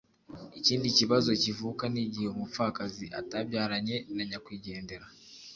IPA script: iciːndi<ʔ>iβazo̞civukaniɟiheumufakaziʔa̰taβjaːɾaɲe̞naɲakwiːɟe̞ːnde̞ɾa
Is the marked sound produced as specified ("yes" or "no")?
no